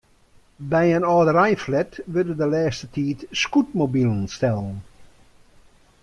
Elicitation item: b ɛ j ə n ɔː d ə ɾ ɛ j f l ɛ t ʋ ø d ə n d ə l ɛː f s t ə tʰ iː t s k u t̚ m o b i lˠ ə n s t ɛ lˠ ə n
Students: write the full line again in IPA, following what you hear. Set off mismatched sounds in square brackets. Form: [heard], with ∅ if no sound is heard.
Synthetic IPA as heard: b ɛ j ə n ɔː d ə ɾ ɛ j f l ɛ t ʋ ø d ə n d ə l ɛː [∅] s t ə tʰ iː t s k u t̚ m o b i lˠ ə n s t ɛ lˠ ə n